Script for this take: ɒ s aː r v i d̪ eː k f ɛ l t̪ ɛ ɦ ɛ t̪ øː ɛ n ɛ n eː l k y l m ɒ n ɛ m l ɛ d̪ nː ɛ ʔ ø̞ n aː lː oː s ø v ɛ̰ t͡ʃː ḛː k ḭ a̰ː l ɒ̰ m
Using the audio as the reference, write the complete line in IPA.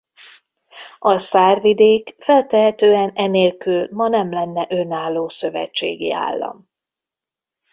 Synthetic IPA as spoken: ɒ s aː r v i d̪ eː k f ɛ l t̪ ɛ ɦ ɛ t̪ øː ɛ n ɛ n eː l k y l m ɒ n ɛ m l ɛ nː ɛ ʔ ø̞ n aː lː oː s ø v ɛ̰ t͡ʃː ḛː ɡ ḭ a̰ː lː ɒ̰ m